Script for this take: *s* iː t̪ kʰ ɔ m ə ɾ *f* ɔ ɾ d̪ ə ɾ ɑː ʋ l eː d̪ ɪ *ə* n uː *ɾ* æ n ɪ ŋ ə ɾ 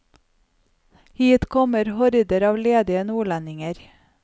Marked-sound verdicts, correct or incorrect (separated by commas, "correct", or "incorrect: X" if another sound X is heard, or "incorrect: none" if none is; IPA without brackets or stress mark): incorrect: h, incorrect: h, correct, incorrect: ɭ